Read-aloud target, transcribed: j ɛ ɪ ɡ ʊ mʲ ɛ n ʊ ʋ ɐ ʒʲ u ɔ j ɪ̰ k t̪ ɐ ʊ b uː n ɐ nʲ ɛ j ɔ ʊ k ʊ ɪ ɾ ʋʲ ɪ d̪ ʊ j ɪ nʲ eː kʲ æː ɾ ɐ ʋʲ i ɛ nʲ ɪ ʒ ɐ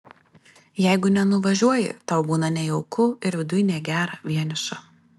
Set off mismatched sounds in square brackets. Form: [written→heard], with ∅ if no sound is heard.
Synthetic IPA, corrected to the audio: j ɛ ɪ ɡ ʊ [mʲ→nʲ] ɛ n ʊ ʋ ɐ ʒʲ u ɔ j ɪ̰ [k→∅] t̪ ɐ ʊ b uː n ɐ nʲ ɛ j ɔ ʊ k ʊ ɪ ɾ ʋʲ ɪ d̪ ʊ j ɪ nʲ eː [kʲ→ɡʲ] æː ɾ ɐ ʋʲ i ɛ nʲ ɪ [ʒ→ʃ] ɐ